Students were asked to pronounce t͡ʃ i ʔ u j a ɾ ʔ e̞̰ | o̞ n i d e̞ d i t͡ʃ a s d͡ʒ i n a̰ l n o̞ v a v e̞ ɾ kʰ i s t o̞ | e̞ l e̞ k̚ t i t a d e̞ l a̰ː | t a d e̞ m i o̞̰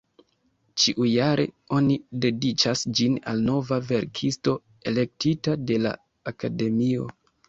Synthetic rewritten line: t͡ʃ i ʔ u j a ɾ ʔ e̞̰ | o̞ n i d e̞ d i t͡ʃ a s d͡ʒ i n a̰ l n o̞ v a v e̞ ɾ kʰ i s t o̞ | e̞ l e̞ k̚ t i t a d e̞ l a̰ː | k a d e̞ m i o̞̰